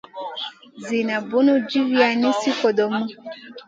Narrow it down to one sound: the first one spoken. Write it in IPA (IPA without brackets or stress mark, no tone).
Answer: z